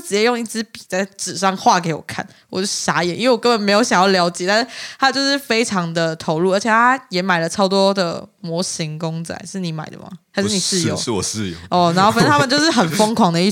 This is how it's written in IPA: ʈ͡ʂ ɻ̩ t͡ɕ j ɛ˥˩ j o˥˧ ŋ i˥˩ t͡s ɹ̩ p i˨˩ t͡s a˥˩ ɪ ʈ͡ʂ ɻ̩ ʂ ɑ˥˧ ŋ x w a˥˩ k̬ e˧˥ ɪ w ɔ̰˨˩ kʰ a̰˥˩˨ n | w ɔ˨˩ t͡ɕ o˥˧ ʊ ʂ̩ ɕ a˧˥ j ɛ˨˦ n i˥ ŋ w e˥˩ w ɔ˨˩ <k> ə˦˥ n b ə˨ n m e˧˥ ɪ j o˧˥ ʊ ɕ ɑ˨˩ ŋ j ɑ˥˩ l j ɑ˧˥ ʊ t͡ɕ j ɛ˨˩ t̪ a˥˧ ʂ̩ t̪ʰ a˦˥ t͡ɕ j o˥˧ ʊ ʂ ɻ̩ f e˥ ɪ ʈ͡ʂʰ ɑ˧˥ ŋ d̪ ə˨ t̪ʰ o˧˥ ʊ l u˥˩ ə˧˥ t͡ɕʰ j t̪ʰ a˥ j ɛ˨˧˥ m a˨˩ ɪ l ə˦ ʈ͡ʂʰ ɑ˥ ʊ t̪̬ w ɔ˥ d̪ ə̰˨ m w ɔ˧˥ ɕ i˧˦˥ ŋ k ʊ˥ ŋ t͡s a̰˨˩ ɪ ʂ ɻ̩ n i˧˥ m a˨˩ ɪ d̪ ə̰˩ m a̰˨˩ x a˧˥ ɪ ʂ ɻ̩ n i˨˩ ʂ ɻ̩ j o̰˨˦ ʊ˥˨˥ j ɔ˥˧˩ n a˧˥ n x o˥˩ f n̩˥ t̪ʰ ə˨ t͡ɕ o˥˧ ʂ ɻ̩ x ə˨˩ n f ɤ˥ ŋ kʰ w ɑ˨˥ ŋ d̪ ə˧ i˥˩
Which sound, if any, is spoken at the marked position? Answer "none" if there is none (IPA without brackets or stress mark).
k